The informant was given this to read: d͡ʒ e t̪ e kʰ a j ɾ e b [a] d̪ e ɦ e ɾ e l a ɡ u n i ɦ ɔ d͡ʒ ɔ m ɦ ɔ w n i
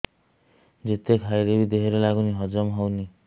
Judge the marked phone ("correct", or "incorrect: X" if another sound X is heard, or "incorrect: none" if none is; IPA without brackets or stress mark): incorrect: i